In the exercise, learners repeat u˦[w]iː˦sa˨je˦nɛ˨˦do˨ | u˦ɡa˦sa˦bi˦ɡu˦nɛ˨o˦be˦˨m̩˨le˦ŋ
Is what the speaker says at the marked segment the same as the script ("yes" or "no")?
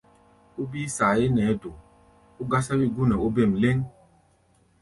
no